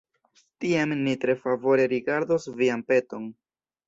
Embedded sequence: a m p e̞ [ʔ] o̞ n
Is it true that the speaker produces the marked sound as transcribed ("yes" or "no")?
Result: no